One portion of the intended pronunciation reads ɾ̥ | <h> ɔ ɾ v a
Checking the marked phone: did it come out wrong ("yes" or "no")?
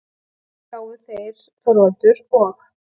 yes